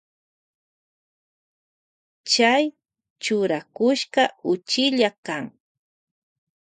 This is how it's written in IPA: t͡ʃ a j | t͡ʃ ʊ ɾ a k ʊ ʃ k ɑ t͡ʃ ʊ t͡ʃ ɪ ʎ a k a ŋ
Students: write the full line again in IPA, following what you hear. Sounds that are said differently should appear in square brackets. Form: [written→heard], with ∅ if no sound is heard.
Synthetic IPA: t͡ʃ a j | t͡ʃ ʊ ɾ a k ʊ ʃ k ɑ [t͡ʃ→∅] ʊ t͡ʃ ɪ ʎ a k a ŋ